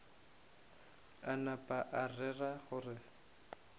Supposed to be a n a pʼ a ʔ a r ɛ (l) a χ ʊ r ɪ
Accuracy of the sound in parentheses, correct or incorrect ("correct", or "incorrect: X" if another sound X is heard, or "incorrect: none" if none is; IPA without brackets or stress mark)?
incorrect: r